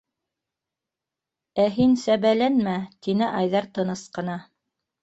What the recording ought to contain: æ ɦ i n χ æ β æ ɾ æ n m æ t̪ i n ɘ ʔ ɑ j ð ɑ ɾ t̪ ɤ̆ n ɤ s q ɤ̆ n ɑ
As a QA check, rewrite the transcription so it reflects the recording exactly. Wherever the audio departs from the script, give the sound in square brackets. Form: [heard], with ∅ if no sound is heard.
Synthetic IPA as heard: æ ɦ i n [s] æ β æ [l] æ n m æ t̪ i n ɘ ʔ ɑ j ð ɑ ɾ t̪ ɤ̆ n ɤ s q ɤ̆ n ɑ

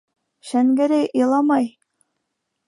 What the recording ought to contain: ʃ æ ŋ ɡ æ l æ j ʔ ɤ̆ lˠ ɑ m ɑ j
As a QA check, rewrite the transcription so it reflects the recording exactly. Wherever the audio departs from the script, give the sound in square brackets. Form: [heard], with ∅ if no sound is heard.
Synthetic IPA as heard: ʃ æ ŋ ɡ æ [ɾ] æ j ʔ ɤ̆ lˠ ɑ m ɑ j

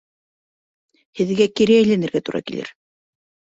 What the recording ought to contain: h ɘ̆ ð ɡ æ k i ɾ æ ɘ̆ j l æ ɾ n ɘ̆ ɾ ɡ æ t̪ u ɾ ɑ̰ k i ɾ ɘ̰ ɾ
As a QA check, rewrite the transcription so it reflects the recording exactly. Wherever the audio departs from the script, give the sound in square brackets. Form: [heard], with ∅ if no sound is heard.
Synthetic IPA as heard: h ɘ̆ ð ɡ æ k i ɾ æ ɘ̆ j l æ [∅] n ɘ̆ ɾ ɡ æ t̪ u ɾ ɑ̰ k i [l] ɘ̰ ɾ

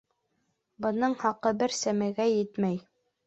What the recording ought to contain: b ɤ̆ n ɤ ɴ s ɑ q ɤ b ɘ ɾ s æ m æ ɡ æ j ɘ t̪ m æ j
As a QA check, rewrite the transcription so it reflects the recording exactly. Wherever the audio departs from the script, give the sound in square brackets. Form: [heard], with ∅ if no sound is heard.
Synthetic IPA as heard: b ɤ̆ n ɤ ɴ [h] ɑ q ɤ b ɘ ɾ s æ m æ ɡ æ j ɘ t̪ m æ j

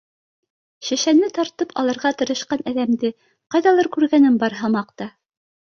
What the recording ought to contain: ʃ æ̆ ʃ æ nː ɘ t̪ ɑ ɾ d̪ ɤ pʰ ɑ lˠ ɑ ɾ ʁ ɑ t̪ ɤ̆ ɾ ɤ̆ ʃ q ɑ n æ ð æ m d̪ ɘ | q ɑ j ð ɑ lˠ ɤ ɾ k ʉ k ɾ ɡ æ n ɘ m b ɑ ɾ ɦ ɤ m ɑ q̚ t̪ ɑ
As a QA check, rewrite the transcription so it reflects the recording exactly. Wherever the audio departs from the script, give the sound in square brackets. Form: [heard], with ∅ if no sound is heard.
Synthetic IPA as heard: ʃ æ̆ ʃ æ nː ɘ t̪ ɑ ɾ [t̪] ɤ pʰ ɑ lˠ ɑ ɾ ʁ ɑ t̪ ɤ̆ ɾ ɤ̆ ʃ q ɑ n æ ð æ m d̪ ɘ | q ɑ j ð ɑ lˠ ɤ ɾ k ʉ [∅] ɾ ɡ æ n ɘ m b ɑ ɾ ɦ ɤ m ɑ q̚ t̪ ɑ

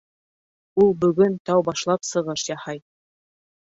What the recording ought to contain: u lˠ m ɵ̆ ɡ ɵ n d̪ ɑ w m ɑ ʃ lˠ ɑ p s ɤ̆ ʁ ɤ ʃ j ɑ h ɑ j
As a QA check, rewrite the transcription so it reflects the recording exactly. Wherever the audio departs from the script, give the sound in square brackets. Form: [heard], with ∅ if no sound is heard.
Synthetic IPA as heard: u lˠ [b] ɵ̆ ɡ ɵ n [t̪] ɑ w [b] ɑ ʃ lˠ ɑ p s ɤ̆ ʁ ɤ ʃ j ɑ h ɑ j

